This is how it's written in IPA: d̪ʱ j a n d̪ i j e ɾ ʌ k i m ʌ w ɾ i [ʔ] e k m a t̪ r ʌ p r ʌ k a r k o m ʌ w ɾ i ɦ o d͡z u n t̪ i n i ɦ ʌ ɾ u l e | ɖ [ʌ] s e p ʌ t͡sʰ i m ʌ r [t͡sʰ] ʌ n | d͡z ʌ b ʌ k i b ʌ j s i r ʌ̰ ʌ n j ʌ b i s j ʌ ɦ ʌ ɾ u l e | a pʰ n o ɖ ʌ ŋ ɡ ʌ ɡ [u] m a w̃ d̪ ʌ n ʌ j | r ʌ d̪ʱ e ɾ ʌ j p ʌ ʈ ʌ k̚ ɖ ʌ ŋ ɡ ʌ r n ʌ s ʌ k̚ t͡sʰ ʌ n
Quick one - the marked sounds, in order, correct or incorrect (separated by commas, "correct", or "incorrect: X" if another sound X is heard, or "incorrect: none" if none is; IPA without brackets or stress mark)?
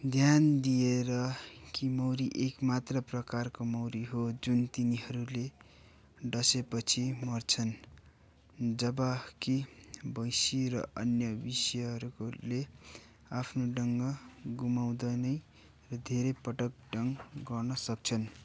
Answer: correct, correct, correct, correct